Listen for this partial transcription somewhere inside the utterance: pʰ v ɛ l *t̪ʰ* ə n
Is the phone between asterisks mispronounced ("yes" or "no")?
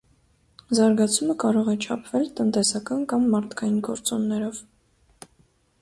yes